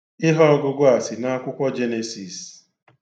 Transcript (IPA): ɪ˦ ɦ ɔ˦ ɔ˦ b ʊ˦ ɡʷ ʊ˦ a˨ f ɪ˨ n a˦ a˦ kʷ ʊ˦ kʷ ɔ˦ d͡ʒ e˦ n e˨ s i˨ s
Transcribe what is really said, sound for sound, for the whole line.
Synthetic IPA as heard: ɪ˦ ɦ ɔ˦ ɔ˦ ɡ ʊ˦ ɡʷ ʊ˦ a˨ s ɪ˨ n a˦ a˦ kʷ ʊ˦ kʷ ɔ˦ d͡ʒ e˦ n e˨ s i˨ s